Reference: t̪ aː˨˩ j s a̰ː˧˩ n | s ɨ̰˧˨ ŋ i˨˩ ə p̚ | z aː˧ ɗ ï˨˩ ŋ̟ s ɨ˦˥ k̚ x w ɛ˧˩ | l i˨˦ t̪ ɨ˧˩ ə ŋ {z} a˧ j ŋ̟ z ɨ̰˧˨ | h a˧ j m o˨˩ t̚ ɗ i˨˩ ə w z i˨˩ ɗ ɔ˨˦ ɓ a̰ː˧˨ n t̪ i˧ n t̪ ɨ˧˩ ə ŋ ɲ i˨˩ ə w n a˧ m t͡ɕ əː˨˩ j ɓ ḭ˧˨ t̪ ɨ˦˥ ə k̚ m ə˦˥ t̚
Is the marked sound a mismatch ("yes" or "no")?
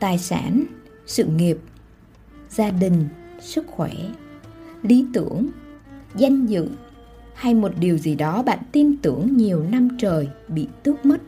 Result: no